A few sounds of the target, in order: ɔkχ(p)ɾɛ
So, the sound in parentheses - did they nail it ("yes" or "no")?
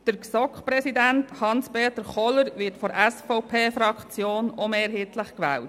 yes